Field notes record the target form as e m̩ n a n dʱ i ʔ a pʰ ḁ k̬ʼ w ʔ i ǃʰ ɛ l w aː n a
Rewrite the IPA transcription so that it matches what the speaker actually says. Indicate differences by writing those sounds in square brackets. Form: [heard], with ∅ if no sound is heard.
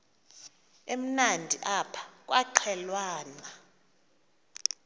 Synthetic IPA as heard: e m̩ n a n dʱ i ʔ a pʰ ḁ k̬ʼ w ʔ [a] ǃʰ ɛ l w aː n a